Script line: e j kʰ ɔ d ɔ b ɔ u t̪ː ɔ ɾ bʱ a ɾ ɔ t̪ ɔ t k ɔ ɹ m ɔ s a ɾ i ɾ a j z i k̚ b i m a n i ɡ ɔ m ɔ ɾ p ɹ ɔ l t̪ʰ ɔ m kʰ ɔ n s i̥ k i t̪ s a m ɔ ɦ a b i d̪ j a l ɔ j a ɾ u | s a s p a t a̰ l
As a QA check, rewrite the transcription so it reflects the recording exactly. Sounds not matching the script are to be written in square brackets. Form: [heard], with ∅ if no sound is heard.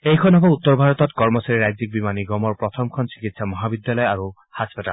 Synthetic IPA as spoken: e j kʰ ɔ [n] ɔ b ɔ u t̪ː ɔ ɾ bʱ a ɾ ɔ t̪ ɔ t k ɔ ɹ m ɔ s a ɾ i ɾ a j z i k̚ b i m a n i ɡ ɔ m ɔ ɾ p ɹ ɔ [∅] t̪ʰ ɔ m kʰ ɔ n s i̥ k i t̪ s a m ɔ ɦ a b i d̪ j a l ɔ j a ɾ u | [h] a s p a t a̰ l